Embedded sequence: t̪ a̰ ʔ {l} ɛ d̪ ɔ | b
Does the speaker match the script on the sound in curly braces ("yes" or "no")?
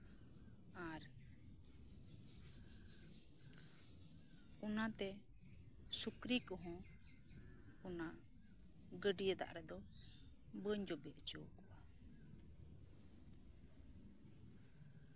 no